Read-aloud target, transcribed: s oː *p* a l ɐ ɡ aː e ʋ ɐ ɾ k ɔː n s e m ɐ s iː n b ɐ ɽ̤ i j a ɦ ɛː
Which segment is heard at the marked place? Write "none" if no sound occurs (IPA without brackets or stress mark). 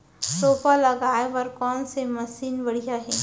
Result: p